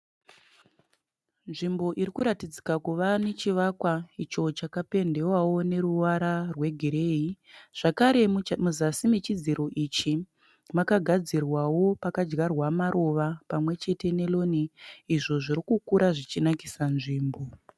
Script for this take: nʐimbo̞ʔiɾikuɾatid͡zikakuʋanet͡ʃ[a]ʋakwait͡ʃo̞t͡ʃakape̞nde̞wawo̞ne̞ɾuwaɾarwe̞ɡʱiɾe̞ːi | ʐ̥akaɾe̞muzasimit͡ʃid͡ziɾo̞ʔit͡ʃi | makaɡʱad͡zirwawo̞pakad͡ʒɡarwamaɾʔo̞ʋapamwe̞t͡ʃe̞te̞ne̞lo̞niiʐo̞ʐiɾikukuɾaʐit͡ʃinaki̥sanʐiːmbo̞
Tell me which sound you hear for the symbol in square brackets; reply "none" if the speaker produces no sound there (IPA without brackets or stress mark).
i